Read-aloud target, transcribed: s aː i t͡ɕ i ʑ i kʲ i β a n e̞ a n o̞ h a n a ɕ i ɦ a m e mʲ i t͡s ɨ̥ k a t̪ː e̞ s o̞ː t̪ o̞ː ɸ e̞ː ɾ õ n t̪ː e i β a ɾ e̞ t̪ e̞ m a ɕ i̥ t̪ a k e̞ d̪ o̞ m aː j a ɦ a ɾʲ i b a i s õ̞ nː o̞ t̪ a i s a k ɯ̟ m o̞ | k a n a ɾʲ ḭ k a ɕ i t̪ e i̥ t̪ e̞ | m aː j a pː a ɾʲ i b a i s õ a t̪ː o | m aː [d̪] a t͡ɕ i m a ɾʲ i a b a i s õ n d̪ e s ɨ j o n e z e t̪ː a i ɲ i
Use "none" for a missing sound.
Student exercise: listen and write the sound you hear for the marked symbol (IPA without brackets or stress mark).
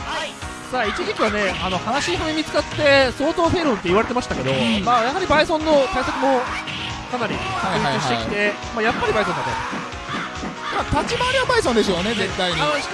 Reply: t̪